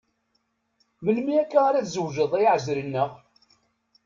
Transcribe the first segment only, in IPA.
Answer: m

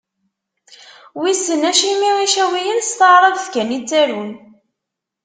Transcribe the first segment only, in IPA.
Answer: w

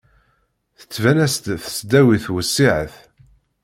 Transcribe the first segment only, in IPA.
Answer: θ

